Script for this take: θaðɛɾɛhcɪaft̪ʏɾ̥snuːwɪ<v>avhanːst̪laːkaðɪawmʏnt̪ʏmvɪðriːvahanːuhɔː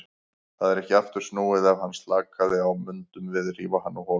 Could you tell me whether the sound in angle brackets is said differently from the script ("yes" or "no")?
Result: yes